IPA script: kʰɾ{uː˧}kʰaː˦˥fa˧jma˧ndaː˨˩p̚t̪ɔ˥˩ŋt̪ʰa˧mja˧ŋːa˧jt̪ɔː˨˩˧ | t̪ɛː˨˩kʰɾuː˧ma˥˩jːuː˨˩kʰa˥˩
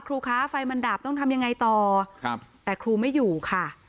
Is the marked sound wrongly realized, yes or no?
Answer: no